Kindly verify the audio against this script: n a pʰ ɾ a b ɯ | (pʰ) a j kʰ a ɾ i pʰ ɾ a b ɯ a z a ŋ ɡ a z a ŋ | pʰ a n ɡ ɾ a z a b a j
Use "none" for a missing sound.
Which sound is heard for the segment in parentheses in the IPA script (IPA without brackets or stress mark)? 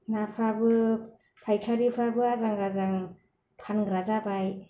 pʰ